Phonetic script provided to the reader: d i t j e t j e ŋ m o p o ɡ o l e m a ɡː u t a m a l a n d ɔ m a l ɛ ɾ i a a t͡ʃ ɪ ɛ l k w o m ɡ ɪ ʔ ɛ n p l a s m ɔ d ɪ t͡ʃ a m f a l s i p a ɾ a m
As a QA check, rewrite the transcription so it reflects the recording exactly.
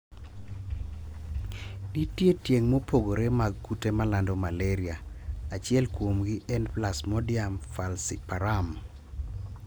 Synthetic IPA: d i t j e t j e ŋ m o p o ɡ o ɾ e m a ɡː u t e m a l a n d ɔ m a l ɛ ɾ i a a t͡ʃ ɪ ɛ l k w o m ɡ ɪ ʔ ɛ n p l a s m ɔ d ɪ a m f a l s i p a ɾ a m